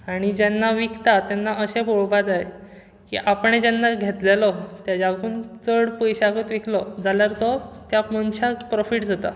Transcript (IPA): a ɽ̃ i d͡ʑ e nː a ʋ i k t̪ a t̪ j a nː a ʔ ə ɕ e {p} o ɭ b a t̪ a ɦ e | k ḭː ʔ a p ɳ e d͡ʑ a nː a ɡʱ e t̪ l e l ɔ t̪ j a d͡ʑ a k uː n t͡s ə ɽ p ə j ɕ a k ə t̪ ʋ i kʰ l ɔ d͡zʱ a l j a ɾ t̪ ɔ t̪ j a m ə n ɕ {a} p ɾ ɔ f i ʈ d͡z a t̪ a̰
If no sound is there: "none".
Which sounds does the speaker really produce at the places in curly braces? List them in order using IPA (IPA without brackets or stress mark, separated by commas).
b, a